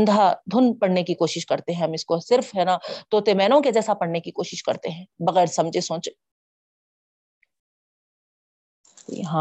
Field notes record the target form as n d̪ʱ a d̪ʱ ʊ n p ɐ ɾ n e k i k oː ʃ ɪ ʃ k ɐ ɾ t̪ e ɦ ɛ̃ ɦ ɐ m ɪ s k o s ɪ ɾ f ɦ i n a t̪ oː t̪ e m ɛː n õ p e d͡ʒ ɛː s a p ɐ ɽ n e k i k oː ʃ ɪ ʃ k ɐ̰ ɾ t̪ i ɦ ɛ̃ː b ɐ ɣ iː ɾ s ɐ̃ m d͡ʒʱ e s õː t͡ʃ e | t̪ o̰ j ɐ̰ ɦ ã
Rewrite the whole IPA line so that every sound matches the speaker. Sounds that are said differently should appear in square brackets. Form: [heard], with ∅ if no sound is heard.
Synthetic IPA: n d̪ʱ a d̪ʱ ʊ n p ɐ [ɽ] n e k i k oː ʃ ɪ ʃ k ɐ ɾ t̪ e ɦ ɛ̃ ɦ ɐ m ɪ s k o s ɪ ɾ f ɦ [ɛ] n a t̪ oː t̪ e m ɛː n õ [k] e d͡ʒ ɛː s a p ɐ ɽ n e k i k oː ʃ ɪ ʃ k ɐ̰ ɾ t̪ [e] ɦ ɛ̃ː b ɐ ɣ [ɛː] ɾ s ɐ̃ m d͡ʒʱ e s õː t͡ʃ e | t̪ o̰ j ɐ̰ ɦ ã